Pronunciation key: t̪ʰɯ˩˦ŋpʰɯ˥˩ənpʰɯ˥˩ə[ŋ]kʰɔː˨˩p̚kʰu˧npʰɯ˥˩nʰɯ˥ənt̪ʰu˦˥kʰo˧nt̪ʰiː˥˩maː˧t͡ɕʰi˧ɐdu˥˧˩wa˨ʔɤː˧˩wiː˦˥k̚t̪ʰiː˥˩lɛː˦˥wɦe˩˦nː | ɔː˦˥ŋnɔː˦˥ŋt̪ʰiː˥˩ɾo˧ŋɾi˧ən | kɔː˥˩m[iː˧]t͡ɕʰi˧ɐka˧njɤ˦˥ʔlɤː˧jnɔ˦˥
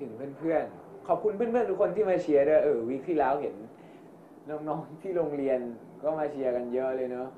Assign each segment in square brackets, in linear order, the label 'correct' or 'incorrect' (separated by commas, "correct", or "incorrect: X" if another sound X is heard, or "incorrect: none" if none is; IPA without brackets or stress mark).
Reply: incorrect: n, incorrect: aː˧